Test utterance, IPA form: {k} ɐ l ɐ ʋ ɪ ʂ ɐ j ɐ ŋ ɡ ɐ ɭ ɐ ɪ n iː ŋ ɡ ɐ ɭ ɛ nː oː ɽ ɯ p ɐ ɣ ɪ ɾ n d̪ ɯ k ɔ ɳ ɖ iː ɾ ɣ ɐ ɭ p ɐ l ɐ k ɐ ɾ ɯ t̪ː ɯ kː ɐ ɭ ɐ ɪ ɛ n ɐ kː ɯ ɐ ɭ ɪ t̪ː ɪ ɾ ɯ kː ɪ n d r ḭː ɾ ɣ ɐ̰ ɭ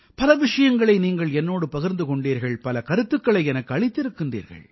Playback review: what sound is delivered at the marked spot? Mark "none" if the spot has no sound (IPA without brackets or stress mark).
p